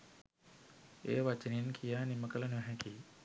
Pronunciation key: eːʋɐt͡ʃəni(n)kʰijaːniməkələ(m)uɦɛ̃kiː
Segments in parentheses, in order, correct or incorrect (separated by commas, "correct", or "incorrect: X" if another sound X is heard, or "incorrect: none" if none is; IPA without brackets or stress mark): correct, incorrect: n